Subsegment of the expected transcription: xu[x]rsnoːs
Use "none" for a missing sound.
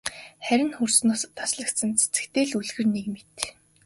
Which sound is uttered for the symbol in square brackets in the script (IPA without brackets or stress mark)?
none